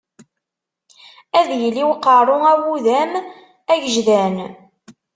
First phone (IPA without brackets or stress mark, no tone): æ